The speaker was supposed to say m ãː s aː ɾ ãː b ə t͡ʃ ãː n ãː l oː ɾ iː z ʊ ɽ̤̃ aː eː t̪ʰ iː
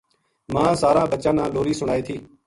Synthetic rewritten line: m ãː s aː ɾ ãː b ə t͡ʃ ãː n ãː l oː ɾ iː s ʊ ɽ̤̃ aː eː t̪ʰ iː